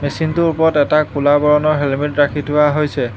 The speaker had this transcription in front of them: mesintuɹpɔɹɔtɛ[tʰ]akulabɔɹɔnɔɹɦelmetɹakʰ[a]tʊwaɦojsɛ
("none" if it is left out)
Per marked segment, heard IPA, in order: t, i

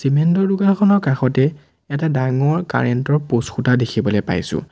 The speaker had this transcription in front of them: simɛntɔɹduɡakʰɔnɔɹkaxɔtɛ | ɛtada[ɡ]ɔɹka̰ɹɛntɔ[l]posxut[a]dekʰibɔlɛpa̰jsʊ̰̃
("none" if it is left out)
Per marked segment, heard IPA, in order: ŋ, ɹ, a

